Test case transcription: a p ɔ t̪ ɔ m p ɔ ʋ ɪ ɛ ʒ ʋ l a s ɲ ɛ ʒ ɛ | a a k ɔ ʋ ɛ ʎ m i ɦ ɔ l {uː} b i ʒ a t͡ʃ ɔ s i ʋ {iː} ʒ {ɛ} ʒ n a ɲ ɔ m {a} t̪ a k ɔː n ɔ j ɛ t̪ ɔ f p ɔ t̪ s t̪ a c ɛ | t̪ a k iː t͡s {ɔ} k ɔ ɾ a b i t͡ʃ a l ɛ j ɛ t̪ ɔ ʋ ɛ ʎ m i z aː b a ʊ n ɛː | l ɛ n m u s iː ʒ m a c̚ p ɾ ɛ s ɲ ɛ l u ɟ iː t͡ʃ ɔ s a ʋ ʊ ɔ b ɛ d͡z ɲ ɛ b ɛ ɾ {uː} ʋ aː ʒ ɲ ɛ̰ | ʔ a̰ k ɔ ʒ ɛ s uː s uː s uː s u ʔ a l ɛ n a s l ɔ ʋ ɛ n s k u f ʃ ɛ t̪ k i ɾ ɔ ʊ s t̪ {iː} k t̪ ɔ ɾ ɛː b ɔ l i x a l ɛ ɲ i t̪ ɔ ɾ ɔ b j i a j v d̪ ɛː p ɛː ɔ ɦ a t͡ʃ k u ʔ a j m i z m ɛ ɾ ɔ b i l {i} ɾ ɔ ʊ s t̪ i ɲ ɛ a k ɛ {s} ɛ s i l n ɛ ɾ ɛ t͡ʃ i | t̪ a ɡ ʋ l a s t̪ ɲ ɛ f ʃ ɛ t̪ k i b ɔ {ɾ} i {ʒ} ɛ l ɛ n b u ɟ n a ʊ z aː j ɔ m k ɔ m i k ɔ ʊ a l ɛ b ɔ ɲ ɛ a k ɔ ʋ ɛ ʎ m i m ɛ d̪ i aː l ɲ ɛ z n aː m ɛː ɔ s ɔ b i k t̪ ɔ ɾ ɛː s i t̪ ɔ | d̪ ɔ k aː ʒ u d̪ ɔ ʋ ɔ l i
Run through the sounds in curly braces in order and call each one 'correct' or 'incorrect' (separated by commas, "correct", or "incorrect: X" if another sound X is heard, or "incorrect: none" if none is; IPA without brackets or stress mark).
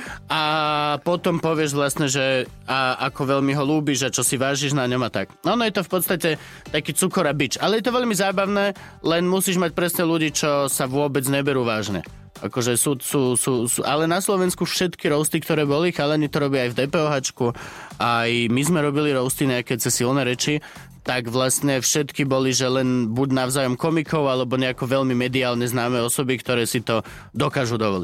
correct, incorrect: aː, incorrect: i, correct, incorrect: u, correct, incorrect: i, correct, incorrect: t͡s, incorrect: l, correct